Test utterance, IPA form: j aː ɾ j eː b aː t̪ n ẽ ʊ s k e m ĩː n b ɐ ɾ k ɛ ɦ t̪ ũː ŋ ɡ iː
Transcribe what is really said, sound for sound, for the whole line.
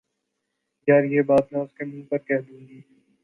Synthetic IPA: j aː ɾ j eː b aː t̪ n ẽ ʊ s k e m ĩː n p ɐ ɾ k ɛ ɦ d̪ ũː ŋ ɡ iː